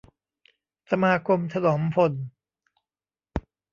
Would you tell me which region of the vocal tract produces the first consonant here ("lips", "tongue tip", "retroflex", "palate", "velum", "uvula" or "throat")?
tongue tip